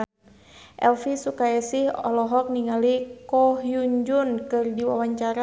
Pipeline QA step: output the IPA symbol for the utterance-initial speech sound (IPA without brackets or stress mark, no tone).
ʔ